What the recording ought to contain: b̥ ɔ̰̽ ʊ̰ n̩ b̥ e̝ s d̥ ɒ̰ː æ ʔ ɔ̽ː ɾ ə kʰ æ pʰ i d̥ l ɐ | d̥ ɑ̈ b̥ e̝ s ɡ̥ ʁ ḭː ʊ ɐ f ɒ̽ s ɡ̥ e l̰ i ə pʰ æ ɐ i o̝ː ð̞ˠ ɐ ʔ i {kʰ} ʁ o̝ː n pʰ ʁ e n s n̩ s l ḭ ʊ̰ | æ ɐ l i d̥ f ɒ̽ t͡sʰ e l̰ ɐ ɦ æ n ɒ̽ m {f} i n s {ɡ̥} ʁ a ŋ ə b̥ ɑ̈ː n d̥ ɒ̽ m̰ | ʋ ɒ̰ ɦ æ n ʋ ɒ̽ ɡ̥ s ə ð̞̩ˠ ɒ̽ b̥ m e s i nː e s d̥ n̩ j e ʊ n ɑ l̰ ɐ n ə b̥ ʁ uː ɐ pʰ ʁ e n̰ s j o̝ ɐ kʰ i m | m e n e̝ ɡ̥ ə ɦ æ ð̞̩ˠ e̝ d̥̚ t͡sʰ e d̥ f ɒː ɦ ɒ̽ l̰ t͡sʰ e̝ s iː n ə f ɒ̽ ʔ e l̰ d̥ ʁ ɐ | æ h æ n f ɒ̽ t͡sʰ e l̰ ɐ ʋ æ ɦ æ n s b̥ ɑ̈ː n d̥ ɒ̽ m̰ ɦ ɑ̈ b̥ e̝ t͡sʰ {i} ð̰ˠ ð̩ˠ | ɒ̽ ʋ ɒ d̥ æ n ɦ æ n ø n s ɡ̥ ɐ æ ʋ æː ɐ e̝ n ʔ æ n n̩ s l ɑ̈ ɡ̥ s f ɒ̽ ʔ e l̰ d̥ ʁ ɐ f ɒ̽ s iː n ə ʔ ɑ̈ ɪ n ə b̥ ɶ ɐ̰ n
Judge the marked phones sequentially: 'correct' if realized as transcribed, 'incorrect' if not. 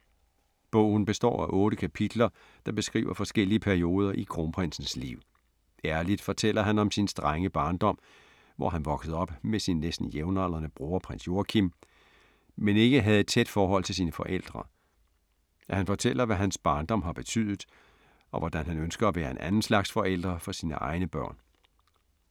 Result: correct, incorrect, incorrect, incorrect

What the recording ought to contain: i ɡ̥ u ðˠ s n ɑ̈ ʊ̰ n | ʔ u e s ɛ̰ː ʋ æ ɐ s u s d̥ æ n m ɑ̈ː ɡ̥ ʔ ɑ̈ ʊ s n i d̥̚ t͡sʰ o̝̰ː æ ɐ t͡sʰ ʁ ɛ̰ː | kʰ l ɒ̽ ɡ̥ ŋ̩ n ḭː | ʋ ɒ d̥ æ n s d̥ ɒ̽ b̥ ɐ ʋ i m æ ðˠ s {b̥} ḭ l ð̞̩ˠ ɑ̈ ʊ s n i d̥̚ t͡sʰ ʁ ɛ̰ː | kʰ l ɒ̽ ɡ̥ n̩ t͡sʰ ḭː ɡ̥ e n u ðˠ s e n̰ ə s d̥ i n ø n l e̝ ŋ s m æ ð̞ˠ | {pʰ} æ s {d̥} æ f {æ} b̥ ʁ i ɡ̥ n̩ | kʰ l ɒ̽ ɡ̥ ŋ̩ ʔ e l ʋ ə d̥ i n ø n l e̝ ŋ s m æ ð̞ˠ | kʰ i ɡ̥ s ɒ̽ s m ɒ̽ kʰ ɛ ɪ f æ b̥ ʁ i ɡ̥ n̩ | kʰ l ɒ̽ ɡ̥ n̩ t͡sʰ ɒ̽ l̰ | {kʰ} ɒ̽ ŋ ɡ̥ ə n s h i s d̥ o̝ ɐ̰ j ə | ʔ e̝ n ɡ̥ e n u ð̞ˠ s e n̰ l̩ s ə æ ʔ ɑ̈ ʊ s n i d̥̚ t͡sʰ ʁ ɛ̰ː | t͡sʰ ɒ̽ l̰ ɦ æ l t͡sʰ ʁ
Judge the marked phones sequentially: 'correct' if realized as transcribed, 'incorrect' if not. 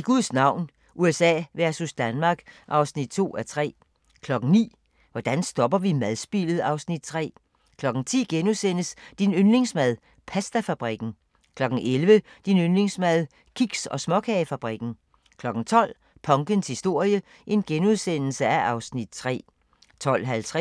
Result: correct, correct, correct, correct, incorrect

